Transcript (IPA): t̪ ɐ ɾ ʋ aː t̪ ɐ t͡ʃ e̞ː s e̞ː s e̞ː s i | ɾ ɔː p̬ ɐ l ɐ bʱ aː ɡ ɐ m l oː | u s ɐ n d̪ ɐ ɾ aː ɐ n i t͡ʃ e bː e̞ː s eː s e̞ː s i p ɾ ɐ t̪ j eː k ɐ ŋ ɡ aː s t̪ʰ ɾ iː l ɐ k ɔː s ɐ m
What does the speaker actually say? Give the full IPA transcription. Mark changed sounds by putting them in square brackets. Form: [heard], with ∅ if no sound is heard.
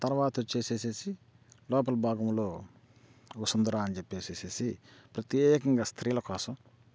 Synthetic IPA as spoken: t̪ ɐ ɾ ʋ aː t̪ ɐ t͡ʃ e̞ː s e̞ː s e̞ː s i | [l] ɔː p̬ ɐ l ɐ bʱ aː ɡ ɐ m l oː | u s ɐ n d̪ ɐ ɾ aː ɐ n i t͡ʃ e [pː] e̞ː s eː s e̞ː s i p ɾ ɐ t̪ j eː k ɐ ŋ ɡ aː s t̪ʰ ɾ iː l ɐ k ɔː s ɐ m